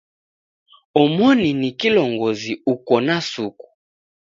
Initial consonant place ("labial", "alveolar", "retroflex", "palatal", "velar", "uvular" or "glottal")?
labial